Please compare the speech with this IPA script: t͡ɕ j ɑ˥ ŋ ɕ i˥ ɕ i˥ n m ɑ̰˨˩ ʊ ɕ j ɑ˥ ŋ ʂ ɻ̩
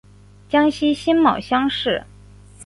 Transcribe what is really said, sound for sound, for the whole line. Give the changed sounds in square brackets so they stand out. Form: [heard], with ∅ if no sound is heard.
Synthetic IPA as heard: t͡ɕ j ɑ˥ ŋ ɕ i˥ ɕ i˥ n m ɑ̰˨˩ ʊ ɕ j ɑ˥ ŋ ʂ ɻ̩